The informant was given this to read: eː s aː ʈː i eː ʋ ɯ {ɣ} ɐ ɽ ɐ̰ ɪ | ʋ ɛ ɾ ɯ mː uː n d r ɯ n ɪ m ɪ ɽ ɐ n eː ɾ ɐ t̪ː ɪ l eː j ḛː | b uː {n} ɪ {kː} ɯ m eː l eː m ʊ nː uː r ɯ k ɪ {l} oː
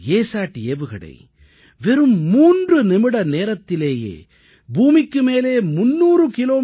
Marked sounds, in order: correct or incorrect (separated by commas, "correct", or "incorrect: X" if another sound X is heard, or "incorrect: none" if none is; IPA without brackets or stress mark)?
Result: correct, incorrect: m, correct, correct